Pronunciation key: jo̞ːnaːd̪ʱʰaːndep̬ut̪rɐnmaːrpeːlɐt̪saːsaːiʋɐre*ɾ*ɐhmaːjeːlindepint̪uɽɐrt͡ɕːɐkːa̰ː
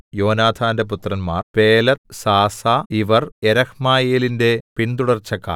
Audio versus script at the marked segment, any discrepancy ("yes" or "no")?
no